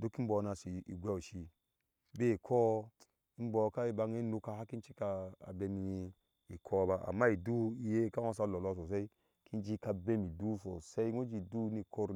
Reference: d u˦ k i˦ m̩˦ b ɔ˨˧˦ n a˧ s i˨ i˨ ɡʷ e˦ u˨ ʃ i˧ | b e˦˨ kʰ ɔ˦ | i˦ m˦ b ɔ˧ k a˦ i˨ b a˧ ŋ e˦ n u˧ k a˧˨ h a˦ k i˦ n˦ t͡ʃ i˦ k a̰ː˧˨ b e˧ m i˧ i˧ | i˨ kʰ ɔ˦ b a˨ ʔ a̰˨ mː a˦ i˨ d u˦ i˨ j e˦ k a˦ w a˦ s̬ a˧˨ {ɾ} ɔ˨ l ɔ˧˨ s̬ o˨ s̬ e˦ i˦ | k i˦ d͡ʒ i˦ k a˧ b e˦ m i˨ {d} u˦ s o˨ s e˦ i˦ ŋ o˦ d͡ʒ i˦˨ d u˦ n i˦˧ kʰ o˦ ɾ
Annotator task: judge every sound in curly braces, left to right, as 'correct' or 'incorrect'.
incorrect: l, correct

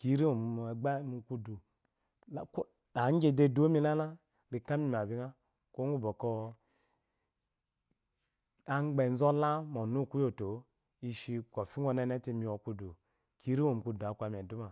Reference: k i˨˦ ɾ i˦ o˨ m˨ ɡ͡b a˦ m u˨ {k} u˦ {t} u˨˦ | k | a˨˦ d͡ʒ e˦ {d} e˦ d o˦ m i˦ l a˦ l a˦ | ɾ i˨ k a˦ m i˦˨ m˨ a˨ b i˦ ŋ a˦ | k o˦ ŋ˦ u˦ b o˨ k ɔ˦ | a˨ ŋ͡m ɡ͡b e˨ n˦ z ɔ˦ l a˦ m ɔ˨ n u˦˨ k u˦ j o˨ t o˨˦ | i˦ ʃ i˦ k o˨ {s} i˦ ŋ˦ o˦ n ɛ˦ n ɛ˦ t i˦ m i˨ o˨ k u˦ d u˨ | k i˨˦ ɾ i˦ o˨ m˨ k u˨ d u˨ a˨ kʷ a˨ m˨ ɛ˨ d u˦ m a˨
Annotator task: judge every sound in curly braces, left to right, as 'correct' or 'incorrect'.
correct, incorrect: d, correct, incorrect: f

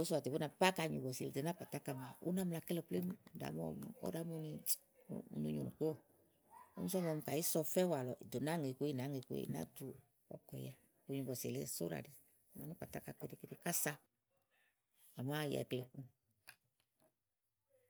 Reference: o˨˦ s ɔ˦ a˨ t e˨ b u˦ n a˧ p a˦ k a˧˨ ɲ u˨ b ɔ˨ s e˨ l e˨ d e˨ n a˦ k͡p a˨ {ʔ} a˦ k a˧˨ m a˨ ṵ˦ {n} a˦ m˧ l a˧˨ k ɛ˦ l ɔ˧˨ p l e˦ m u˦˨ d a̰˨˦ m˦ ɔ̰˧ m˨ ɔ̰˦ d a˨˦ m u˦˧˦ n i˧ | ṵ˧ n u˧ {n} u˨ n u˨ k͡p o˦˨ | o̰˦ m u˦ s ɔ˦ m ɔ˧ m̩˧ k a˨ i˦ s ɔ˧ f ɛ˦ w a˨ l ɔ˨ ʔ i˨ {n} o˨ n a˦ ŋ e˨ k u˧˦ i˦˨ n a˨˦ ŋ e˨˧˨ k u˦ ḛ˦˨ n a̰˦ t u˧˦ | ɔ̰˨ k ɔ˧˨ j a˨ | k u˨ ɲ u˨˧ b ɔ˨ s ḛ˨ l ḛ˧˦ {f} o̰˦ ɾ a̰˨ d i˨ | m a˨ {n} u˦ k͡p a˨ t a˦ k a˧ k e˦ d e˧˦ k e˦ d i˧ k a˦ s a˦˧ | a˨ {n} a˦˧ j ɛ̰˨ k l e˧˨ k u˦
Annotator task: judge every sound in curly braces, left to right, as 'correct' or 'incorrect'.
incorrect: t, correct, incorrect: ɲ, incorrect: d, incorrect: s, correct, incorrect: m

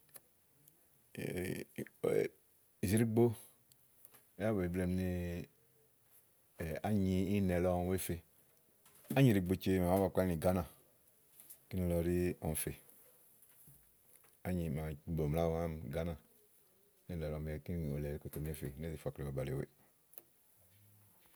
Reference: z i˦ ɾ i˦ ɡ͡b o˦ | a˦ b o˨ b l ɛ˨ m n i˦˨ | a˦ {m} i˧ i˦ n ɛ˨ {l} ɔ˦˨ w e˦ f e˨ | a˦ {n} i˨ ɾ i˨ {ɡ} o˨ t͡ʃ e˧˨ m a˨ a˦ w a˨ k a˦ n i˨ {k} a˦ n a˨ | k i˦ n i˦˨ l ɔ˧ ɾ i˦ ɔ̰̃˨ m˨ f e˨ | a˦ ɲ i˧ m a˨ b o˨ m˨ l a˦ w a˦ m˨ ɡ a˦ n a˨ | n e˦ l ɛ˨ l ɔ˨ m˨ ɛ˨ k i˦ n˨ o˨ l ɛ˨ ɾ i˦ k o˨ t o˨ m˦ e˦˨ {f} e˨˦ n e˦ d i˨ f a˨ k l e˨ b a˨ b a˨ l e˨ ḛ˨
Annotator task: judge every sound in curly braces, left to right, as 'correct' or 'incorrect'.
incorrect: ɲ, correct, incorrect: ɲ, incorrect: ɡ͡b, incorrect: ɡ, correct

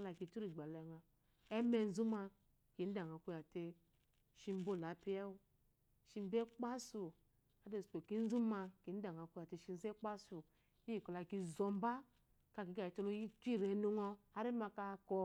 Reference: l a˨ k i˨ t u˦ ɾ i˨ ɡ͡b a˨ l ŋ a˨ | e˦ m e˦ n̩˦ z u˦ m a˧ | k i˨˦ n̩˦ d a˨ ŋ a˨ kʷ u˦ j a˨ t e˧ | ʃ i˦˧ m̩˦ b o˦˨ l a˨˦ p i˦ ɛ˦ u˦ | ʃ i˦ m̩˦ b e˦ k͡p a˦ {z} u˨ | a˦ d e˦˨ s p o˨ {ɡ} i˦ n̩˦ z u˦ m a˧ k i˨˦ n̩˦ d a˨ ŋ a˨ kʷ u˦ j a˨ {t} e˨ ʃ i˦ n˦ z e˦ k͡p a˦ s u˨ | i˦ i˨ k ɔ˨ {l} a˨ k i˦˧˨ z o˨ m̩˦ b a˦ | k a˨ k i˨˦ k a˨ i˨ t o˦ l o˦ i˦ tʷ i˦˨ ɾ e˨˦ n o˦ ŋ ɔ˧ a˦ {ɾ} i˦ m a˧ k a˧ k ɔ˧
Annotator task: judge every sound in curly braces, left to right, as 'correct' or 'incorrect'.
incorrect: s, incorrect: k, correct, correct, correct

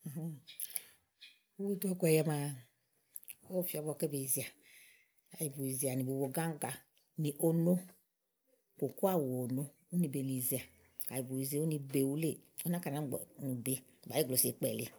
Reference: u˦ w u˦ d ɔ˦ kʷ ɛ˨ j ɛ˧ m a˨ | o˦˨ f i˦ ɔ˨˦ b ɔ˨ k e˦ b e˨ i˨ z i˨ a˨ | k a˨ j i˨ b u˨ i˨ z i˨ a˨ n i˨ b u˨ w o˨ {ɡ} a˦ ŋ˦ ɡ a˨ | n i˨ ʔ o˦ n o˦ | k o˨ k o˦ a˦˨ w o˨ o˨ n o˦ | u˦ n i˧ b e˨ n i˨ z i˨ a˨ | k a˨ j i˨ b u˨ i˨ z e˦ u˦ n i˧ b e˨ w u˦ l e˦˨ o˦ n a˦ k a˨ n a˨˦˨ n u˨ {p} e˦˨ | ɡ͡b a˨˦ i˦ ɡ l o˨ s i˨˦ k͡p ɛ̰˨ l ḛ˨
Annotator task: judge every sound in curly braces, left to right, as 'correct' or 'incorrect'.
correct, incorrect: b

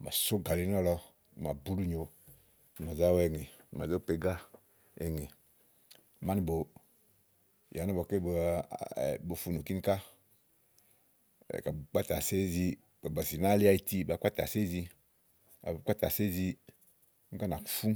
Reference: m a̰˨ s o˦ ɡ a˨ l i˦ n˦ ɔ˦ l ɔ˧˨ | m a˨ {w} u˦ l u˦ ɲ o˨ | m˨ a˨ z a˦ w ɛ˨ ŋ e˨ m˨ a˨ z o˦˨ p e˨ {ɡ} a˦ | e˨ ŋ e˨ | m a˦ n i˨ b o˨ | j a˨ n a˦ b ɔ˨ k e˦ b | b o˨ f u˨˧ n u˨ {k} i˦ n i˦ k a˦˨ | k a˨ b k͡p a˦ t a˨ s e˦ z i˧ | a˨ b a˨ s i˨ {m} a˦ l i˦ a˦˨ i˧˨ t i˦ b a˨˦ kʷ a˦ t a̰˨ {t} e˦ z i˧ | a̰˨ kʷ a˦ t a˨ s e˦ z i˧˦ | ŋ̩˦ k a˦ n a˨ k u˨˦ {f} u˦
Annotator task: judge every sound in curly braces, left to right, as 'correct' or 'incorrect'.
incorrect: b, correct, correct, incorrect: n, incorrect: s, correct

